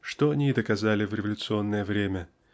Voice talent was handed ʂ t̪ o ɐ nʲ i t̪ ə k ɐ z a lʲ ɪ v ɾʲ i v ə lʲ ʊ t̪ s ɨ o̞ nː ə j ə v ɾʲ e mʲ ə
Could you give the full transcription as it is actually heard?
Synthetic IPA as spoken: ʂ t̪ o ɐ nʲ i d̪ ə k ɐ z a lʲ ɪ v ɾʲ ɪ v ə lʲ ʊ t̪ s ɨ o̞ nː ə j ə v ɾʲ e mʲ ə